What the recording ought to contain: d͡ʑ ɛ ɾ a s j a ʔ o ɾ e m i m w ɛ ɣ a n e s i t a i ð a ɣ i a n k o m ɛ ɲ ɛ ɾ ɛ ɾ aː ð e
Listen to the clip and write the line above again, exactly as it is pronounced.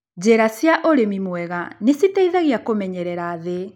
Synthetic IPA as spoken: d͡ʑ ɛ ɾ a s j a ʔ o ɾ e m i m w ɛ ɣ a n e s i t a i ð a ɣ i a k o m ɛ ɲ ɛ ɾ ɛ ɾ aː ð e